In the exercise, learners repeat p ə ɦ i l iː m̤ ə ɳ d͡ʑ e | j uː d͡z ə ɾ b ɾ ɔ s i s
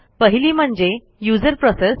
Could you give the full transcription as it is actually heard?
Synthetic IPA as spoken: p ə ɦ i l iː m̤ ə ɳ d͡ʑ e | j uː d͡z ə ɾ p ɾ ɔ s e s